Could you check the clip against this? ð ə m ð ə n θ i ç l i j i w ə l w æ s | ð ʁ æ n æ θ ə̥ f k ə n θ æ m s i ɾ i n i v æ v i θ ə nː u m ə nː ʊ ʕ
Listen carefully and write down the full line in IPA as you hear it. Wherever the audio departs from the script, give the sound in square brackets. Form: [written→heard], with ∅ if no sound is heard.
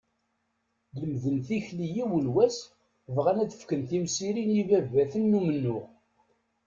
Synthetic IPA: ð ə m ð ə n θ i ç l i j i w ə l w æ s | [ð→v] ʁ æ n æ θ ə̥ f k ə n θ [æ→i] m s i ɾ i n i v æ v [i→æ] θ ə nː u m ə nː ʊ [ʕ→ʁ]